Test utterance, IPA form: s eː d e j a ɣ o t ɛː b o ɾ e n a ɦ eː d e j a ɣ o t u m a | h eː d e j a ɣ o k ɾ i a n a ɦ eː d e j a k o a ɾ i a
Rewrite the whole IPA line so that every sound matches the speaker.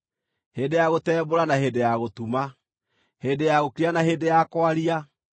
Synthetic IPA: h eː d e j a ɣ o t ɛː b o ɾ a n a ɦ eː d e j a ɣ o t u m a | h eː d e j a ɣ o k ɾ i a n a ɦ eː d e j a k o a ɾ i a